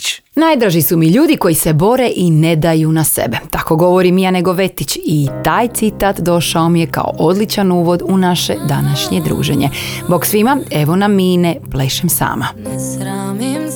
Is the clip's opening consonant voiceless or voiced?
voiced